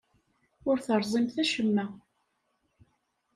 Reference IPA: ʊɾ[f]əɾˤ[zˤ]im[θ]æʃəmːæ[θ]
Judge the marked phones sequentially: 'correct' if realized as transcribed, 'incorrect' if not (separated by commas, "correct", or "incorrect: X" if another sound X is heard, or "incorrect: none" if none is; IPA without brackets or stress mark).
incorrect: θ, correct, correct, incorrect: none